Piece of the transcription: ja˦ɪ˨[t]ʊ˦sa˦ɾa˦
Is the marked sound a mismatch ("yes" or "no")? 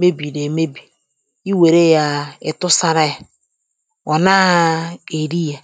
no